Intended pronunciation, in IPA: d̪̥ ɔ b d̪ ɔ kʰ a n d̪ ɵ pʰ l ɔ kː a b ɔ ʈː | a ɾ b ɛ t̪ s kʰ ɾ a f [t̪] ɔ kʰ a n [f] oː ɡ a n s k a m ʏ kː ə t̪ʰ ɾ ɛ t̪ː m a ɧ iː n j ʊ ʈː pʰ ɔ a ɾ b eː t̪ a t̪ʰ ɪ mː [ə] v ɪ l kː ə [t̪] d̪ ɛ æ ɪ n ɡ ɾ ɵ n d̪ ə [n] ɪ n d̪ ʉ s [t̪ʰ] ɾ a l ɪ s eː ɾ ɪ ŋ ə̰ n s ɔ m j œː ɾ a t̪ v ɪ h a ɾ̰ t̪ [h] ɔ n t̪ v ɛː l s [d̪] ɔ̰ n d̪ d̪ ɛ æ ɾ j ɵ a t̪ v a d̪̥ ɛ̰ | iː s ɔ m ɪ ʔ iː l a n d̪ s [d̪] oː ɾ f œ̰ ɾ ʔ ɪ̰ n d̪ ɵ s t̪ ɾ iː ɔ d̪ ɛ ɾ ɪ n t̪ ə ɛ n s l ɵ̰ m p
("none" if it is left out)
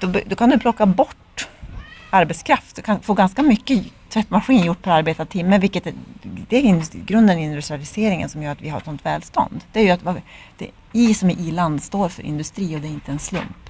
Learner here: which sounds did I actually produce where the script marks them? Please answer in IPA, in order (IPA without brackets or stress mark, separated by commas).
t̪, f, ə, t̪, n, t̪, s, t̪, t̪